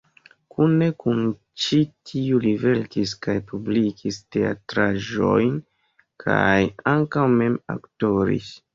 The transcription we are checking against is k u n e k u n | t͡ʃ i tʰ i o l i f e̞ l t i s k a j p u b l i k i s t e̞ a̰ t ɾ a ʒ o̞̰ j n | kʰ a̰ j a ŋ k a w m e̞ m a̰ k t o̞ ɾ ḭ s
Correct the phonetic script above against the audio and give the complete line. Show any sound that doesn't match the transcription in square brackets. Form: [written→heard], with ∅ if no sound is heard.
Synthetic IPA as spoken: k u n e k u n | t͡ʃ i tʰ i [o→u] l i [f→v] e̞ l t i s k a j p u b l i k i s t e̞ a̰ t ɾ a ʒ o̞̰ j n | kʰ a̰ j a ŋ k a w m e̞ m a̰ k t o̞ ɾ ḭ s